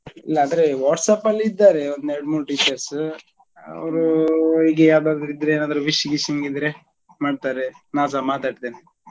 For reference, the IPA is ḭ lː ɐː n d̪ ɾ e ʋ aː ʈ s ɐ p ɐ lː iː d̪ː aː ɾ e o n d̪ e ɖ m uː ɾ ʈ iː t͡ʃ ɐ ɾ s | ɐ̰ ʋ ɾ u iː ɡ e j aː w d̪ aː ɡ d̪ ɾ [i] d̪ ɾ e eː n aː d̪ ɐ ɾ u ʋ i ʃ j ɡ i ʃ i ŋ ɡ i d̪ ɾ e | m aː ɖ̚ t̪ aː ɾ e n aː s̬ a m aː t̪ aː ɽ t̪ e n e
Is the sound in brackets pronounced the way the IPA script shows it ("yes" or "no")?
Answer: yes